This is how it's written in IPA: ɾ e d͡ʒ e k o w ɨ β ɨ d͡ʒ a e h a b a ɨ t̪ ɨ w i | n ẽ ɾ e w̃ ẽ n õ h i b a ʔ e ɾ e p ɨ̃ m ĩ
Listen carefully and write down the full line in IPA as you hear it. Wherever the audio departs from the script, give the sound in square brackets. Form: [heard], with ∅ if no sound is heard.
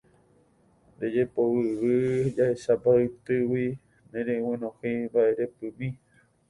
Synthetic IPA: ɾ e d͡ʒ e [p] o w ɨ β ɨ d͡ʒ a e [ʃ] a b a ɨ t̪ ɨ w i | n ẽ ɾ e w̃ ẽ n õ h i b a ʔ e ɾ e p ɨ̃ m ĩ